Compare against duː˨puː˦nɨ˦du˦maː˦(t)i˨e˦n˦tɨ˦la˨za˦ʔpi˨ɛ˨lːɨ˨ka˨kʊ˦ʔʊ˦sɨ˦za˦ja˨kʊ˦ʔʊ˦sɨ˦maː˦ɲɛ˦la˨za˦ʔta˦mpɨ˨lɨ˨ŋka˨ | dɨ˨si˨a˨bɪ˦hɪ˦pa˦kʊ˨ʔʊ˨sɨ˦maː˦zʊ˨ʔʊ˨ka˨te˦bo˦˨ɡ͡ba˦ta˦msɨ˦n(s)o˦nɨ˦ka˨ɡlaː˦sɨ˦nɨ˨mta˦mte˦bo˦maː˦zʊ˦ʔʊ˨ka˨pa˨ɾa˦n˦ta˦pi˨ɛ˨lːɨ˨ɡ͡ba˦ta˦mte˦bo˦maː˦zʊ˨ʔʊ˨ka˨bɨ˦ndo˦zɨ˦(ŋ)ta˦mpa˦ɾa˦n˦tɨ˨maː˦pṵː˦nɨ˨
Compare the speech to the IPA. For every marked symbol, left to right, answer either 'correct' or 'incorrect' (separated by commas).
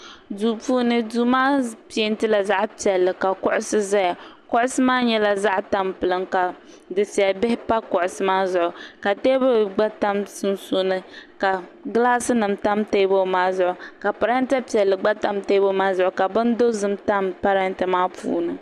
incorrect, correct, incorrect